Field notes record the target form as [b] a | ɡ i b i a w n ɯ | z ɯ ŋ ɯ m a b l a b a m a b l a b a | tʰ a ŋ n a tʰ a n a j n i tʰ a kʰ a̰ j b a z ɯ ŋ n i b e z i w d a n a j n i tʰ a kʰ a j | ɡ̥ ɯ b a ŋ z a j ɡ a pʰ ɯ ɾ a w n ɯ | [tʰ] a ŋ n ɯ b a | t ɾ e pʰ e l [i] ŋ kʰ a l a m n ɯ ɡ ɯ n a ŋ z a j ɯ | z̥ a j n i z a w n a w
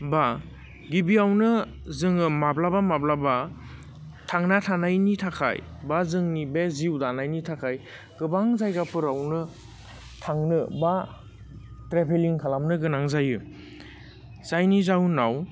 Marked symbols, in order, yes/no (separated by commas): yes, yes, yes